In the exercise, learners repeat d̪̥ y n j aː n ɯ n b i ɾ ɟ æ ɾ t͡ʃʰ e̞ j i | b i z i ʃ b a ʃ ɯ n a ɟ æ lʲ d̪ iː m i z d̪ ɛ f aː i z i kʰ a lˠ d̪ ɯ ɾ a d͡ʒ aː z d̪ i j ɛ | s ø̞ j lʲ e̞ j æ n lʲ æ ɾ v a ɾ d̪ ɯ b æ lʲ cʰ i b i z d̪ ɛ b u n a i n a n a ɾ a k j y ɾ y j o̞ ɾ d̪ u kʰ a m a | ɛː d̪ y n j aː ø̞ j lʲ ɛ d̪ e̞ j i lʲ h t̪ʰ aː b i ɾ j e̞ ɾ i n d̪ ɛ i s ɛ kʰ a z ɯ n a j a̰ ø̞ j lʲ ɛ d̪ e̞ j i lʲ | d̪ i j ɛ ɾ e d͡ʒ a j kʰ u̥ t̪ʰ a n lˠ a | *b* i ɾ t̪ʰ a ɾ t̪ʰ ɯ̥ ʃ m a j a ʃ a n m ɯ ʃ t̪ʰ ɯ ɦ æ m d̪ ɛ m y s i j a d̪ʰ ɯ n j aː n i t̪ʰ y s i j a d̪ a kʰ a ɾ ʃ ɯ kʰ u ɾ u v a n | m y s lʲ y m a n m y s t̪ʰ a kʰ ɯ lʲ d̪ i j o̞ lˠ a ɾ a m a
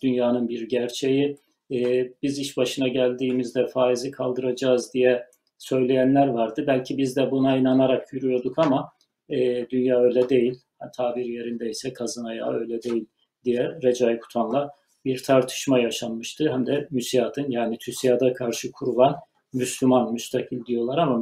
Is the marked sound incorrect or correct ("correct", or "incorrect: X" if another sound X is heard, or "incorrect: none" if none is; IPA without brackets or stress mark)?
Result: correct